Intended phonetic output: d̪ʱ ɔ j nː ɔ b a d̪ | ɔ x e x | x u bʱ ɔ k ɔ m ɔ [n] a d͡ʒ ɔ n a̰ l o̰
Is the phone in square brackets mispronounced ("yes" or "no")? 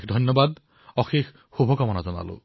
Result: no